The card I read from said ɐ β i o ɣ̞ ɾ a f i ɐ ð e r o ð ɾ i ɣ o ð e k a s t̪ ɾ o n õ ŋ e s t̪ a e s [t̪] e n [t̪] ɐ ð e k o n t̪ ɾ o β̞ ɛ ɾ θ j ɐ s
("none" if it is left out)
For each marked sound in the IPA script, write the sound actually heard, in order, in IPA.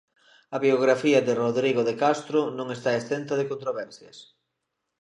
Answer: t̪, t̪

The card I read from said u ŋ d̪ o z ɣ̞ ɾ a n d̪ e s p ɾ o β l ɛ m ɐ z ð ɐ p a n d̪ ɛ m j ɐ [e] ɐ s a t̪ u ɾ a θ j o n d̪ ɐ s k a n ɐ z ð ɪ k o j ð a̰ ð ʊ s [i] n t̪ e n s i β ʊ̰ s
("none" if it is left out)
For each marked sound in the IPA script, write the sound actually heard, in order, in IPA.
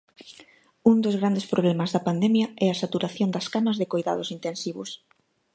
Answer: ɛ, i

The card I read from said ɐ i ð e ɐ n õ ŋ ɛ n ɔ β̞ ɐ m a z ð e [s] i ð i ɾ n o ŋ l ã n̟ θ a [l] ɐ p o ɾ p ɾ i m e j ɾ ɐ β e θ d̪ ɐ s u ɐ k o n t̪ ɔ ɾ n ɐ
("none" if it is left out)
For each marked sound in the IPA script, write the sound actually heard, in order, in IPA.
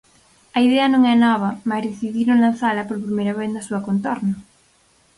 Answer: θ, l

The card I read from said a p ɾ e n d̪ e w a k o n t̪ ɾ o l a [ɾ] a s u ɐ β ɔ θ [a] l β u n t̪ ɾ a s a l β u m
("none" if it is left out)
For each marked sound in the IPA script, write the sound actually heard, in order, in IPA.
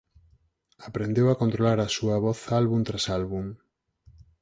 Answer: ɾ, a

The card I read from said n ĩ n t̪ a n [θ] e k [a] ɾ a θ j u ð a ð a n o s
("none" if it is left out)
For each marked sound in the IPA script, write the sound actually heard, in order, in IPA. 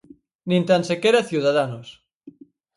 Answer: s, e

